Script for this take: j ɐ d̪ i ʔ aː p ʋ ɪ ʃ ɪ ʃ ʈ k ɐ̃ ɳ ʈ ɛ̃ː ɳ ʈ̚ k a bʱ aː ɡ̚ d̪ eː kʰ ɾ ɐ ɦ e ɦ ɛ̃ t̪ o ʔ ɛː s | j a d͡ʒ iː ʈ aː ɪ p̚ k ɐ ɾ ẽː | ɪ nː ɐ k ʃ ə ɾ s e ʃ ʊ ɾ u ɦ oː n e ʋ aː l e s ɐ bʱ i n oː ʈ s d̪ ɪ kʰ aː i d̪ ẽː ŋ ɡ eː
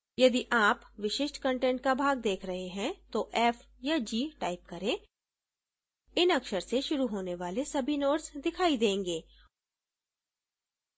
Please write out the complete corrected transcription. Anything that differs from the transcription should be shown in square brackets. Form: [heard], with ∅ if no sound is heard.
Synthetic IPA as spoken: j ɐ d̪ i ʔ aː p ʋ ɪ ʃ ɪ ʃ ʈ k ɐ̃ ɳ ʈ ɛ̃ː ɳ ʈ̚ k a bʱ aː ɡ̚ d̪ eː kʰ ɾ ɐ ɦ e ɦ ɛ̃ t̪ o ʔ ɛː [f] | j a d͡ʒ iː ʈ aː ɪ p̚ k ɐ ɾ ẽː | ɪ [n] ɐ k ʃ ə ɾ s e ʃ ʊ ɾ u ɦ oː n e ʋ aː l e s ɐ bʱ i n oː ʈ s d̪ ɪ kʰ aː i d̪ ẽː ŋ ɡ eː